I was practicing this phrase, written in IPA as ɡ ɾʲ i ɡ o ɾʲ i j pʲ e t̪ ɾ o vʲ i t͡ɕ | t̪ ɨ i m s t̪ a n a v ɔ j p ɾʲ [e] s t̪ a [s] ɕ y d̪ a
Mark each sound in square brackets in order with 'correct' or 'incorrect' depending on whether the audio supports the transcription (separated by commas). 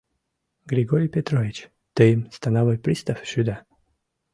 incorrect, incorrect